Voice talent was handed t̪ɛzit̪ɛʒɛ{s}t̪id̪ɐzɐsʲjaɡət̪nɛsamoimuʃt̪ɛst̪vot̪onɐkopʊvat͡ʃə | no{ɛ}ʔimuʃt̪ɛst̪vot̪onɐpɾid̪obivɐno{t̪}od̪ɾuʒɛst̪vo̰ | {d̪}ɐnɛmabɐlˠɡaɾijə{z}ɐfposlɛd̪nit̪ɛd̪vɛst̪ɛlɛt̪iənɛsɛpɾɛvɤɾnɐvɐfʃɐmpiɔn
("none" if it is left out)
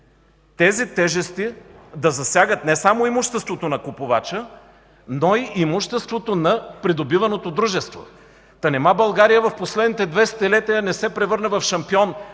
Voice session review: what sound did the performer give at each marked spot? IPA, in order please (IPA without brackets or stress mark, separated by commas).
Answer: s, i, t̪, t̪, v